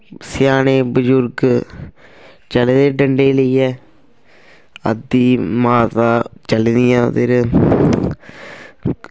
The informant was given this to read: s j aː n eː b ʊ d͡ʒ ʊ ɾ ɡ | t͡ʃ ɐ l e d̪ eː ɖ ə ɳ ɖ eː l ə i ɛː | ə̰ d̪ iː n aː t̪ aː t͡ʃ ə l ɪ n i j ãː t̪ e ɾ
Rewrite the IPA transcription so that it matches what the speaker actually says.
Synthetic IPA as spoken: s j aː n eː b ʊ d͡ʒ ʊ ɾ ɡ | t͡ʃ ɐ l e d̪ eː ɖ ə ɳ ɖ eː l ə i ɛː | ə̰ d̪ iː m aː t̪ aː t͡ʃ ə l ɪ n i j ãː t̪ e ɾ

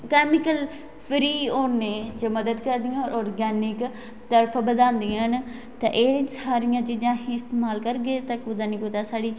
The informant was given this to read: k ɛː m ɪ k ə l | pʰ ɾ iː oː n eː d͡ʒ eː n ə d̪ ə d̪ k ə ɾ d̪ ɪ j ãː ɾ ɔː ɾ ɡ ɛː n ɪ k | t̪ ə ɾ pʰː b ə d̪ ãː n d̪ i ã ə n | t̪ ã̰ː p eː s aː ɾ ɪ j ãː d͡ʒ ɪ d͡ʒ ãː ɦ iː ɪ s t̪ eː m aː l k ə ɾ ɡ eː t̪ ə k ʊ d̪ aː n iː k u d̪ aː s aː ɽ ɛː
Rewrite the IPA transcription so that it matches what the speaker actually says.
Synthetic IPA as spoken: k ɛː m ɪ k ə l | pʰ ɾ iː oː n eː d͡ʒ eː m ə d̪ ə d̪ k ə ɾ d̪ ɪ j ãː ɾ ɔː ɾ ɡ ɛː n ɪ k | t̪ ə ɾ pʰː b ə d̪ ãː n d̪ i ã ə n | t̪ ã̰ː ʔ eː s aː ɾ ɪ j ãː d͡ʒ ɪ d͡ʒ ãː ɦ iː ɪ s t̪ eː m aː l k ə ɾ ɡ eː t̪ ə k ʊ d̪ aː n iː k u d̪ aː s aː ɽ iː

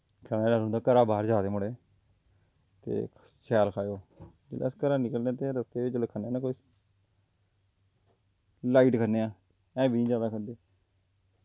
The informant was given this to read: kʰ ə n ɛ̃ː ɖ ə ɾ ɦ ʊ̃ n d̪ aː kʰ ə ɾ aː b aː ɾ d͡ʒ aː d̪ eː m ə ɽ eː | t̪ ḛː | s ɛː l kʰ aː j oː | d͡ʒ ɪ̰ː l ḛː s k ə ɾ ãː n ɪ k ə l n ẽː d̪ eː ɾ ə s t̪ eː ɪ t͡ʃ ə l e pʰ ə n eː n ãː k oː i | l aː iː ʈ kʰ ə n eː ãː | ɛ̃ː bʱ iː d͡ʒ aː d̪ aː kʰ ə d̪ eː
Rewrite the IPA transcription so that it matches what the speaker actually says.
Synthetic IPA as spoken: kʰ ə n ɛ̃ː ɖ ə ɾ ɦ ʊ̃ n d̪ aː k ə ɾ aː b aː ɾ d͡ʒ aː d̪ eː m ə ɽ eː | t̪ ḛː | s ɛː l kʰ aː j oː | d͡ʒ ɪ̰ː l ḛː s k ə ɾ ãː n ɪ k ə l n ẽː t̪ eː ɾ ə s t̪ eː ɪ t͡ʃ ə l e kʰ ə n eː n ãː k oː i | l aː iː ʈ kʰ ə n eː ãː | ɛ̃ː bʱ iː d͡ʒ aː d̪ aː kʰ ə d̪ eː

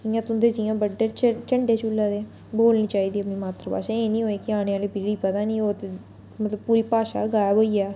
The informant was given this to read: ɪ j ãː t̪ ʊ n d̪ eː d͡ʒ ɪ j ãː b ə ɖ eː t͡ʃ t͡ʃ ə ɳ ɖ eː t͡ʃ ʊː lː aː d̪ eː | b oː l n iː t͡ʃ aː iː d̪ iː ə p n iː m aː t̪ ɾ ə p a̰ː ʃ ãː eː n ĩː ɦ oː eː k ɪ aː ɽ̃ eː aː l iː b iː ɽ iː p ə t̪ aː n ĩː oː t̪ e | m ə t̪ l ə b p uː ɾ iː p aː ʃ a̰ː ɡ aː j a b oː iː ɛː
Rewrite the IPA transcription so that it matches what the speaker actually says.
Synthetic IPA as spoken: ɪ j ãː t̪ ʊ n d̪ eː d͡ʒ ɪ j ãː b ə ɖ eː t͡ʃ t͡ʃ ə ɳ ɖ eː t͡ʃ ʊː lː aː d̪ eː | b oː l n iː t͡ʃ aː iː d̪ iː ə p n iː m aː t̪ ɾ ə p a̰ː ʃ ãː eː n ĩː ɦ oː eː k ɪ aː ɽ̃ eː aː l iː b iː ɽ iː p ə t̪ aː n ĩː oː t̪ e | m ə t̪ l ə b p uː ɾ iː p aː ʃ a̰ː ɡ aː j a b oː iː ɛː

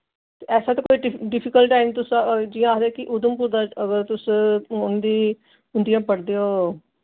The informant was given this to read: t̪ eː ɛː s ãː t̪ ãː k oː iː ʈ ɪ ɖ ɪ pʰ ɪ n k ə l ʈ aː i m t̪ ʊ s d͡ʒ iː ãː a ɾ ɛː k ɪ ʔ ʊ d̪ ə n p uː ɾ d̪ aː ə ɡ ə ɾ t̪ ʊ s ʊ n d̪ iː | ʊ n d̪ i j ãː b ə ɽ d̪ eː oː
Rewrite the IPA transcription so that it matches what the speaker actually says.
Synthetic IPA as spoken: t̪ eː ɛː s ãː t̪ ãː k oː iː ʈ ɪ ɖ ɪ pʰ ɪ k ə l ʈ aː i m t̪ ʊ s d͡ʒ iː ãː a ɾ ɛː k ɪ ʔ ʊ d̪ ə m p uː ɾ d̪ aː ə ɡ ə ɾ t̪ ʊ s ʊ n d̪ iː | ʊ n d̪ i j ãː p ə ɽ d̪ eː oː

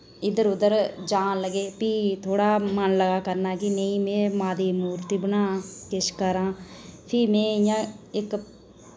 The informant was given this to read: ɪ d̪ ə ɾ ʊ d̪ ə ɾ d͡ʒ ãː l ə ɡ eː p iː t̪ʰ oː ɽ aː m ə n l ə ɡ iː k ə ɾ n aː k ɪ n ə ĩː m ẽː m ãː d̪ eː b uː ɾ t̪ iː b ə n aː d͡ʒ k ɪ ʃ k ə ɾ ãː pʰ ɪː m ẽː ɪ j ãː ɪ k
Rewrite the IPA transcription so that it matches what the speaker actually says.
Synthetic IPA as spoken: ɪ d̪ ə ɾ ʊ d̪ ə ɾ d͡ʒ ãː l ə ɡ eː p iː t̪ʰ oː ɽ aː m ə n l ə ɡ aː k ə ɾ n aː k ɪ n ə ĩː m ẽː m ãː d̪ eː m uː ɾ t̪ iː b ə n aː k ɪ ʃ k ə ɾ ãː pʰ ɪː m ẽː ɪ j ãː ɪ k

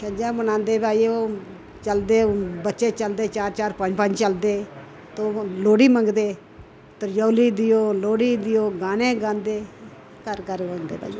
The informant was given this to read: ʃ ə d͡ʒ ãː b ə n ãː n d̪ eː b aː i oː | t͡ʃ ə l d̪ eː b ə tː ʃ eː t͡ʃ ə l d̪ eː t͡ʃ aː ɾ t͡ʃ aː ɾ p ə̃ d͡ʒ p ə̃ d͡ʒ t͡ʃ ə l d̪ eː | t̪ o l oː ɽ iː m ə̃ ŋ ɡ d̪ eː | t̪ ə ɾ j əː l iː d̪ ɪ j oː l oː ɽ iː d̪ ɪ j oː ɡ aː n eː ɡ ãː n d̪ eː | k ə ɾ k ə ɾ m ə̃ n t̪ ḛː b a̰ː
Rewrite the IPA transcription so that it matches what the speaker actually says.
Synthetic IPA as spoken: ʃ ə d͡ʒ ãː b ə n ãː n d̪ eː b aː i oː | t͡ʃ ə l d̪ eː b ə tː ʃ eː t͡ʃ ə l d̪ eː t͡ʃ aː ɾ t͡ʃ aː ɾ p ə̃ d͡ʒ p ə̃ d͡ʒ t͡ʃ ə l d̪ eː | t̪ o l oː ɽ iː m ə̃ ŋ ɡ d̪ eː | t̪ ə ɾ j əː l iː d̪ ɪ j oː l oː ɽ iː d̪ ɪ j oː ɡ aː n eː ɡ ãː n d̪ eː | k ə ɾ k ə ɾ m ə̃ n d̪ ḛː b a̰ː

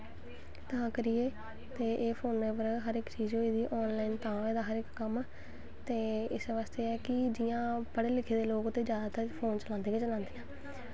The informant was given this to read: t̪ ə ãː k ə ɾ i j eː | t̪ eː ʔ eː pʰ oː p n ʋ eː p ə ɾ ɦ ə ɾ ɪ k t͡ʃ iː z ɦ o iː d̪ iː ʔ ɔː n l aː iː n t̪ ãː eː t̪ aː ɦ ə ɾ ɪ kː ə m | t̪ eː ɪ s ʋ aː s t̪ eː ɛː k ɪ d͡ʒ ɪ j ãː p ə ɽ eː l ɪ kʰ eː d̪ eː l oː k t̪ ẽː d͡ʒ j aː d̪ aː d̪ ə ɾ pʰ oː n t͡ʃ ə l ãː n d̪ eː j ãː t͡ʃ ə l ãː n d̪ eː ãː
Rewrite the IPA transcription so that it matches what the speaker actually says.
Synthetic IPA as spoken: t̪ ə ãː k ə ɾ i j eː | t̪ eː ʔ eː pʰ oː n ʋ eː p ə ɾ ɦ ə ɾ ɪ k t͡ʃ iː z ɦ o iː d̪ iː ʔ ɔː n l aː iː n t̪ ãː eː d̪ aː ɦ ə ɾ ɪ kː ə m | t̪ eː ɪ s ʋ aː s t̪ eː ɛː k ɪ d͡ʒ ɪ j ãː p ə ɽ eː l ɪ kʰ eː d̪ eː l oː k t̪ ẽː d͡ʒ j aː d̪ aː t̪ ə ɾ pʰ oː n t͡ʃ ə l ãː n d̪ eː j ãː t͡ʃ ə l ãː n d̪ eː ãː

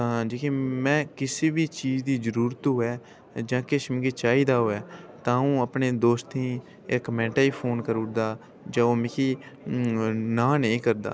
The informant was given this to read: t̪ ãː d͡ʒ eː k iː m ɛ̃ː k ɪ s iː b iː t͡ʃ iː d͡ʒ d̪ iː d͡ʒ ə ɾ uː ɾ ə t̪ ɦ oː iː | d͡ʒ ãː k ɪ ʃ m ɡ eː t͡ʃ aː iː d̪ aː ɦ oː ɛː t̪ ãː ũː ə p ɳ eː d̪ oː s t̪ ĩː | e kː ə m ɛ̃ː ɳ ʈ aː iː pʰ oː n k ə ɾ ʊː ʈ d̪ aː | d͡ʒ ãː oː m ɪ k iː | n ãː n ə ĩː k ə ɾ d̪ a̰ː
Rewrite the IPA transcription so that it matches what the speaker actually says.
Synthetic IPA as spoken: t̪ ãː d͡ʒ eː k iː m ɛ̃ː k ɪ s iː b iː t͡ʃ iː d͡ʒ d̪ iː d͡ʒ ə ɾ uː ɾ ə t̪ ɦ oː ɛː | d͡ʒ ãː k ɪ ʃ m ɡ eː t͡ʃ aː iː d̪ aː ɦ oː ɛː t̪ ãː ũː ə p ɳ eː d̪ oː s t̪ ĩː | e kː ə m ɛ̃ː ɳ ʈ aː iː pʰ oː n k ə ɾ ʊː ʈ d̪ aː | d͡ʒ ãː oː m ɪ k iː | n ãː n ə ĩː k ə ɾ d̪ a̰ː

